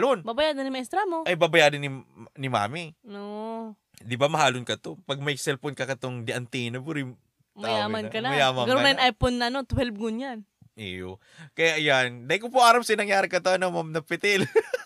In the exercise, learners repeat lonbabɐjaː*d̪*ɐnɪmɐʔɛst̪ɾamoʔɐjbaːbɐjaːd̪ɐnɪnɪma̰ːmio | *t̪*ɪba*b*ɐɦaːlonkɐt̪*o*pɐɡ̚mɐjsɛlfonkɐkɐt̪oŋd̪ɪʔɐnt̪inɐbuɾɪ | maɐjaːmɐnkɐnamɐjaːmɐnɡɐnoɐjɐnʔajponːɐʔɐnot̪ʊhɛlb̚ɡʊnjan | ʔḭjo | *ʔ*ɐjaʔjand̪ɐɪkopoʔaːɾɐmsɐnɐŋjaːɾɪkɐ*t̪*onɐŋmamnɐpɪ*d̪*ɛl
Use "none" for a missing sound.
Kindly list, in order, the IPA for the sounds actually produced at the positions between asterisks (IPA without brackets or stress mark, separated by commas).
d̪, d̪, m, o, k, t̪, t̪